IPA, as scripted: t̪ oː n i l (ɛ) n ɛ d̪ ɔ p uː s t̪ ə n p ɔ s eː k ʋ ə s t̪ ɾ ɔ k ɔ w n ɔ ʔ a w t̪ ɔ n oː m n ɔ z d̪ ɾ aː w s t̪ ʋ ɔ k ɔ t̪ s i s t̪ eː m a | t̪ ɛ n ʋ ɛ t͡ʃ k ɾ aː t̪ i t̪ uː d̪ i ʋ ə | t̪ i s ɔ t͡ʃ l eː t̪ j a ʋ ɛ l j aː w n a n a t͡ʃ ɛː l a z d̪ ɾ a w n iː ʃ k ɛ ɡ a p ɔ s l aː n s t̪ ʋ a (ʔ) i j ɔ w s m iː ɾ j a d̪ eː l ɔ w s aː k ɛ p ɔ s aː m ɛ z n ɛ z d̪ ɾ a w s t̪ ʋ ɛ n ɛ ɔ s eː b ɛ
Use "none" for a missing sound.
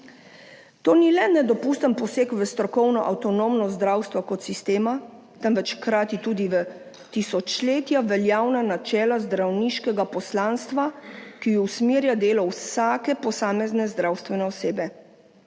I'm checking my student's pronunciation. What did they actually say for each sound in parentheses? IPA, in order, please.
ɛ, k

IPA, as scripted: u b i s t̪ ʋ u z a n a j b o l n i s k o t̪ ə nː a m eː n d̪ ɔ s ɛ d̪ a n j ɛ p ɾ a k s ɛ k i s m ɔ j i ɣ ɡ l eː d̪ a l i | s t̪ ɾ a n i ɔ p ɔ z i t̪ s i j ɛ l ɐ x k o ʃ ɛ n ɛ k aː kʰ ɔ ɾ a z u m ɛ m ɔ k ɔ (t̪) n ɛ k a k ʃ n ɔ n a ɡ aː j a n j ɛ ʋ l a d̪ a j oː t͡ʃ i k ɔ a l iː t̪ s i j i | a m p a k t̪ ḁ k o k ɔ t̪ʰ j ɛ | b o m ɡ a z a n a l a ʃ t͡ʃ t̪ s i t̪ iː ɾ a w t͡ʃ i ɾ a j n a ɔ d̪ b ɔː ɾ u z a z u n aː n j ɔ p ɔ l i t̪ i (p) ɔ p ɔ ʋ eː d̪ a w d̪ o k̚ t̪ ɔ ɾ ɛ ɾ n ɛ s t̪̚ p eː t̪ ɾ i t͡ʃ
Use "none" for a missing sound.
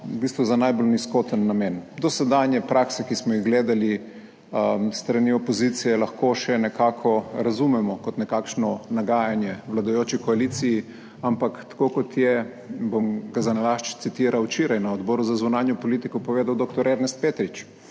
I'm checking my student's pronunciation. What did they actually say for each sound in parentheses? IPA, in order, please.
t̪, k

